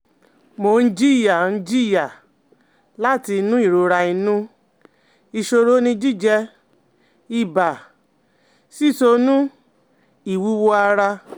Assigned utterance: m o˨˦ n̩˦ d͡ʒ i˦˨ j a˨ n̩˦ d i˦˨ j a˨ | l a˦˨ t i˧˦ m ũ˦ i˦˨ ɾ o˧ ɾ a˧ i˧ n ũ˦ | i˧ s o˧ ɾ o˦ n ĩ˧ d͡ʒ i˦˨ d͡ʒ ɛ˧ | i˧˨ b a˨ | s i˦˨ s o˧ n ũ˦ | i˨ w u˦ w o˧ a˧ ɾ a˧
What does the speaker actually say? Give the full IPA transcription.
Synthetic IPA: m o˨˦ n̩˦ d͡ʒ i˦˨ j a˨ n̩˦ d͡ʒ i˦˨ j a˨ | l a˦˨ t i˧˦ n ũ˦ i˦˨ ɾ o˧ ɾ a˧ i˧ n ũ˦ | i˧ ʃ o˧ ɾ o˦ n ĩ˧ d͡ʒ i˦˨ d͡ʒ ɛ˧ | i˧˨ b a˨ | s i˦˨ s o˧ n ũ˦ | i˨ w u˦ w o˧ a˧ ɾ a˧